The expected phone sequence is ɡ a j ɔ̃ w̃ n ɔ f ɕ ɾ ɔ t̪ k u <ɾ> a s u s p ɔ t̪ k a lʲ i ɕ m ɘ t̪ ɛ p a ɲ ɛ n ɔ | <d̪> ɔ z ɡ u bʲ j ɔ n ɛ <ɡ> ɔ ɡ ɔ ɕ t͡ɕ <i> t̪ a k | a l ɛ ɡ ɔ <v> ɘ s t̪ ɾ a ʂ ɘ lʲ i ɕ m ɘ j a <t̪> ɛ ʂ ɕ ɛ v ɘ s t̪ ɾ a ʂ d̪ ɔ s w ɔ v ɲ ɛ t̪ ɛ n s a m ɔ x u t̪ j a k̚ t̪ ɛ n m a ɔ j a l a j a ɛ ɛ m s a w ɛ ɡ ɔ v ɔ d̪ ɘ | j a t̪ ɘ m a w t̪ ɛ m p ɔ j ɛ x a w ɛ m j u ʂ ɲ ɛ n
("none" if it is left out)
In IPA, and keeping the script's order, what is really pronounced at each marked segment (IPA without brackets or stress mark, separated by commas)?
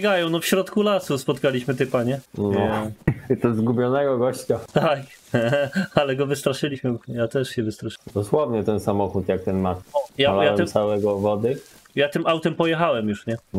l, t̪, ɡ, a, v, t̪